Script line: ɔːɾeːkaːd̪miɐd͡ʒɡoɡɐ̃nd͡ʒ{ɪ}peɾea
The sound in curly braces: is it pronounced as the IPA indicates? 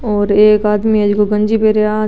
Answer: no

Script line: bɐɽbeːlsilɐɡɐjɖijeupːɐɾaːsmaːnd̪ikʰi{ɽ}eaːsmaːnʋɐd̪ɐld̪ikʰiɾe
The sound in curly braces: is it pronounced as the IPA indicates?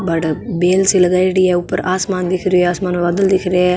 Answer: no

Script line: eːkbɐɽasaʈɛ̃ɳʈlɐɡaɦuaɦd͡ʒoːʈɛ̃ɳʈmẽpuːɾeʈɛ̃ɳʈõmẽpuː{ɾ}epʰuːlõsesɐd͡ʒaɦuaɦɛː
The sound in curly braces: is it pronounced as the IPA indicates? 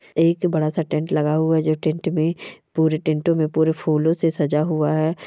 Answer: yes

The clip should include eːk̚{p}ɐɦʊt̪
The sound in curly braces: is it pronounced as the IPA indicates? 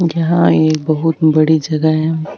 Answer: no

